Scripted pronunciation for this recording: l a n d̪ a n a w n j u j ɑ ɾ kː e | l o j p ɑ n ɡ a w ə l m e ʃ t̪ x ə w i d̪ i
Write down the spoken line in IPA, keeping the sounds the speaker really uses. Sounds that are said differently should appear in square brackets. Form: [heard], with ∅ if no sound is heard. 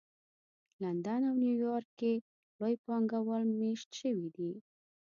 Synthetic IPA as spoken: l a n d̪ a n a w n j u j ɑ ɾ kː e | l o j p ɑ [ŋ] ɡ a w ə l m e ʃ t̪ [ʃ] ə w i d̪ i